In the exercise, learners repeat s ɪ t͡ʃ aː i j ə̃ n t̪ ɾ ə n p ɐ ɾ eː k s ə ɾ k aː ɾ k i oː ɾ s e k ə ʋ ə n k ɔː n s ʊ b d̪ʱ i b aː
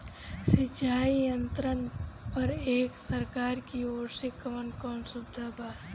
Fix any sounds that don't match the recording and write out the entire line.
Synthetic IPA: s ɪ t͡ʃ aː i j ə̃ n t̪ ɾ ə n p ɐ ɾ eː k s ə ɾ k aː ɾ k i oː ɾ s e k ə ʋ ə n k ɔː n s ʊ b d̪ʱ a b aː

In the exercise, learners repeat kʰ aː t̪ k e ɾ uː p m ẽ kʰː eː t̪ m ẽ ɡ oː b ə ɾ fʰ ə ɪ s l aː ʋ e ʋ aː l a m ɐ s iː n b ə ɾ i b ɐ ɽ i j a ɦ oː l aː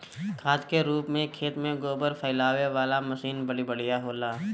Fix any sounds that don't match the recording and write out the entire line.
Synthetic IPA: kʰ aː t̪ k e ɾ uː p m ẽ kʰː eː t̪ m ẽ ɡ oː b ə ɾ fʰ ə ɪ l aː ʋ e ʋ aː l a m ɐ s iː n b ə ɽ i b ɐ ɽ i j a ɦ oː l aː

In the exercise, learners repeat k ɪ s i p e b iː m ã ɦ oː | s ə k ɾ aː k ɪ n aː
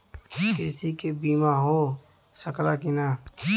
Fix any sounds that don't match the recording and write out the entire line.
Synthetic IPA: k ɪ s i k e b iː m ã ɦ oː | s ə k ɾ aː k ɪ n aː

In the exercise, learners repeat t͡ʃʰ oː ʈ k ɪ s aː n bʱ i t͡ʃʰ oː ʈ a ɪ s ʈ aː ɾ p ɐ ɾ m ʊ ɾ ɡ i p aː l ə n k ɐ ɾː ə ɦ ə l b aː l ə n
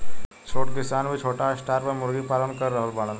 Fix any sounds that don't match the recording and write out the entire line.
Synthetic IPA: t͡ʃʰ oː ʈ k ɪ s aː n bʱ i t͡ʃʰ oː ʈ a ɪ s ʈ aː ɾ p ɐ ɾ m ʊ ɾ ɡ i p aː l ə n k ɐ ɾː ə ɦ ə l b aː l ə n

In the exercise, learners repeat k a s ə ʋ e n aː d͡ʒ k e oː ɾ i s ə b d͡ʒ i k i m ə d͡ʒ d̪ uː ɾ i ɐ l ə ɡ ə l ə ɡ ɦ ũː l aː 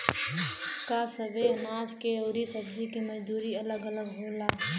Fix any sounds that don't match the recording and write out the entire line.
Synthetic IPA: k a s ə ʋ e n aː d͡ʒ k e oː ɾ i s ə b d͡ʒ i k i m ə d͡ʒ d̪ uː ɾ i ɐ l ə ɡ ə l ə ɡ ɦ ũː l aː

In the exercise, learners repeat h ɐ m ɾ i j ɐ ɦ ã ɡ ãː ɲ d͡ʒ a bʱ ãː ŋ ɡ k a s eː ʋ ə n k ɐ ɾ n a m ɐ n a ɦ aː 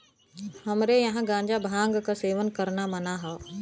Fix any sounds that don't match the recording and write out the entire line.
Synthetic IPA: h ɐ m ɾ e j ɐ ɦ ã ɡ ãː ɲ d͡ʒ a bʱ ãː ŋ ɡ k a s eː ʋ ə n k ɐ ɾ n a m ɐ n a ɦ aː

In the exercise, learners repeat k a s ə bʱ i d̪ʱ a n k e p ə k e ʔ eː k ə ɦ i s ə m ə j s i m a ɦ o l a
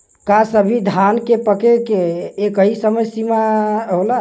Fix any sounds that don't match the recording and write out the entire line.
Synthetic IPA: k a s ə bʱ i d̪ʱ a n k e p ə k e k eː k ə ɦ i s ə m ə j s i m a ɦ o l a

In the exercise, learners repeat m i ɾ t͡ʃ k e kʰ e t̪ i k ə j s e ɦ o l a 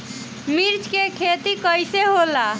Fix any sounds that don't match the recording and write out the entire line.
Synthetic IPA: m i ɾ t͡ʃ k e kʰ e t̪ i k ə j s e ɦ o l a

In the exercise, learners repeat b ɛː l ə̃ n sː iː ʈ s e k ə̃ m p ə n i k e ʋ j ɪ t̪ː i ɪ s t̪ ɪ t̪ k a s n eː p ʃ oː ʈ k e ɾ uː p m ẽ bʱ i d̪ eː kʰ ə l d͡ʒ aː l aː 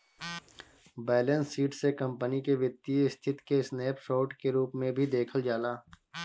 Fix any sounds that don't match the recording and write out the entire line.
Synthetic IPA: b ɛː l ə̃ n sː iː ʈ s e k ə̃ m p ə n i k e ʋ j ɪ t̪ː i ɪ s t̪ʰ ɪ t̪ k e s n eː p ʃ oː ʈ k e ɾ uː p m ẽ bʱ i d̪ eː kʰ ə l d͡ʒ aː l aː

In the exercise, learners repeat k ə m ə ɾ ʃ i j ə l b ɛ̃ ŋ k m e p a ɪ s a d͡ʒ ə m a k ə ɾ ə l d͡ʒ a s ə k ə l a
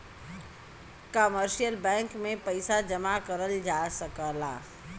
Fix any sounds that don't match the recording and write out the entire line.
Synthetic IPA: k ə m ə ɾ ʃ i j ə l b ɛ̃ ŋ k m e p ə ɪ s a d͡ʒ ə m a k ə ɾ ə l d͡ʒ a s ə k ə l a

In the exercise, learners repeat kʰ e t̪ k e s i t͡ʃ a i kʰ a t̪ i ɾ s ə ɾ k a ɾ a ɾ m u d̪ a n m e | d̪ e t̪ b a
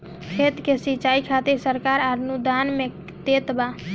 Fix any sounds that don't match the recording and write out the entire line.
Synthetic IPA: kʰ e t̪ k e s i t͡ʃ a i kʰ a t̪ i ɾ s ə ɾ k a ɾ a ɾ n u d̪ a n m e | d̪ e t̪ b a

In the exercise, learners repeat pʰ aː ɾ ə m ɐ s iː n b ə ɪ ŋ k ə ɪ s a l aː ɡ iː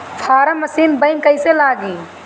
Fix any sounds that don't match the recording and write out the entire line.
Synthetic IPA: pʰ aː ɾ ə m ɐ s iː n b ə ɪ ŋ k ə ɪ s e l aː ɡ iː

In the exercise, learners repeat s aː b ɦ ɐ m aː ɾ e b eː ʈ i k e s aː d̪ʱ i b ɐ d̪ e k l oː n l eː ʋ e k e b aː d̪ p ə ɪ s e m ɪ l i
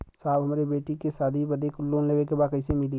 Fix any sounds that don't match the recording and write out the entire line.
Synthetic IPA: s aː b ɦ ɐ m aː ɾ e b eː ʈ i k e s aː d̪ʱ i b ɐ d̪ e k l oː n l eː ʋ e k e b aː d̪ k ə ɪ s e m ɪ l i

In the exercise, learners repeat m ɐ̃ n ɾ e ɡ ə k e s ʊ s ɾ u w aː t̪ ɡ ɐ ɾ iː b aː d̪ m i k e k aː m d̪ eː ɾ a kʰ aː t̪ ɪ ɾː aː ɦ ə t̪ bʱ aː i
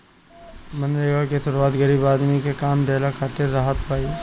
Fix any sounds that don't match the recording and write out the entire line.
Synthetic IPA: m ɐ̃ n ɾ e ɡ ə k e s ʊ ɾ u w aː t̪ ɡ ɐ ɾ iː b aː d̪ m i k e k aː m d̪ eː l a kʰ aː t̪ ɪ ɾː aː ɦ ə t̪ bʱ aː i

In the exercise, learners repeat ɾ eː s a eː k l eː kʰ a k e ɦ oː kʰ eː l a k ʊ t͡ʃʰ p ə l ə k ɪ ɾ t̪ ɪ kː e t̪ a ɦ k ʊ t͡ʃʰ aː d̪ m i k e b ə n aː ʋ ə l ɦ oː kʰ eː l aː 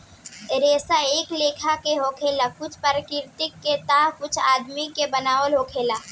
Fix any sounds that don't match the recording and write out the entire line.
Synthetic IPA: ɾ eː s a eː k l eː kʰ a k e ɦ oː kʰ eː l a k ʊ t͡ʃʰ p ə ɾ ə k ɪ ɾ t̪ ɪ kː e t̪ a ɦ k ʊ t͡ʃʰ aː d̪ m i k e b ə n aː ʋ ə l ɦ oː kʰ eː l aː

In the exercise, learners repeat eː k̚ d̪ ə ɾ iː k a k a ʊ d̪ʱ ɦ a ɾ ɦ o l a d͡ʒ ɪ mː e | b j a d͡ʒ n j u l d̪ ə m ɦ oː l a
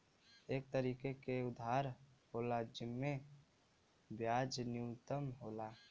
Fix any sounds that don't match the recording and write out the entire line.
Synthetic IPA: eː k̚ t̪ ə ɾ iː k e k e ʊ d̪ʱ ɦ a ɾ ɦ o l a d͡ʒ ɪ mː e | b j a d͡ʒ n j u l t̪ ə m ɦ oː l a

